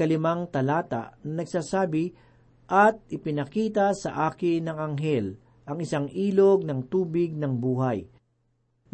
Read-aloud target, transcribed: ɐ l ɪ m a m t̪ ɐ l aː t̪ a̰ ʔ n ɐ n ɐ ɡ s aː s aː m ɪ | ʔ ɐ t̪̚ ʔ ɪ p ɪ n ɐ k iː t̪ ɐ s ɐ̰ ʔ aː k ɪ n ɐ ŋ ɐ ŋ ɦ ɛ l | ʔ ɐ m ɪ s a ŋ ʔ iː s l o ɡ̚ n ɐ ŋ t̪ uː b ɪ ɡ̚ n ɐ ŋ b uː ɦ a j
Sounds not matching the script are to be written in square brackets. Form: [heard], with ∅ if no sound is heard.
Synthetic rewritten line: ɐ l ɪ m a [ŋ] t̪ ɐ l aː t̪ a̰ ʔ n ɐ n ɐ ɡ s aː s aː [b] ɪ | ʔ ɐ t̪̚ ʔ ɪ p ɪ n ɐ k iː t̪ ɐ s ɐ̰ ʔ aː k ɪ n ɐ ŋ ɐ ŋ ɦ ɛ l | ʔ ɐ [ŋ] ɪ s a ŋ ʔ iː [∅] l o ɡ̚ n ɐ ŋ t̪ uː b ɪ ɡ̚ n ɐ ŋ b uː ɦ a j